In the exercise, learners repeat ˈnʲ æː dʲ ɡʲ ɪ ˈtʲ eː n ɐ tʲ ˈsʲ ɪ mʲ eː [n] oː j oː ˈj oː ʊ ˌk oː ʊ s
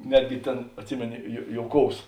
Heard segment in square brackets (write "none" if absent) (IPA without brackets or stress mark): n